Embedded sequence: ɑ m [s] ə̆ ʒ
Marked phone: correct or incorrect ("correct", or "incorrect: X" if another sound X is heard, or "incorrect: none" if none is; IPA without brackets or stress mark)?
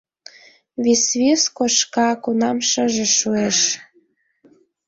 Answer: incorrect: ʃ